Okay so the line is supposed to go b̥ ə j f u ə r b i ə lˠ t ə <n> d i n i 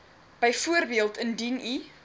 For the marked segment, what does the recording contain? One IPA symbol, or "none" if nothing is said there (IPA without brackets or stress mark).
n